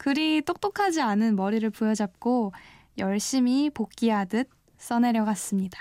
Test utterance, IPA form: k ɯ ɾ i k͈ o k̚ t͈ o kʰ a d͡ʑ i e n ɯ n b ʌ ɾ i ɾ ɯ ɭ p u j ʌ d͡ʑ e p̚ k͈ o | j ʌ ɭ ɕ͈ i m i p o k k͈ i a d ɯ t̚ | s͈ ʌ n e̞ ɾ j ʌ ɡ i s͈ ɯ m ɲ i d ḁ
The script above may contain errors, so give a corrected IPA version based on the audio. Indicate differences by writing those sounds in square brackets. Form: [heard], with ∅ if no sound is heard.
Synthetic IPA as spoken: k ɯ ɾ i [t͈] o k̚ t͈ o kʰ a d͡ʑ i [a] n ɯ n [m] ʌ ɾ i ɾ ɯ ɭ p u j ʌ d͡ʑ [a] p̚ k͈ o | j ʌ ɭ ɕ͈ i m i p o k k͈ i a d ɯ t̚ | s͈ ʌ n e̞ ɾ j ʌ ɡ [a] s͈ ɯ m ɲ i d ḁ